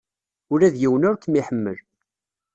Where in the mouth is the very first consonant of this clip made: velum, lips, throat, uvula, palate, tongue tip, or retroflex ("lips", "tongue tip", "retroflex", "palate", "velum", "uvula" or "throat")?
tongue tip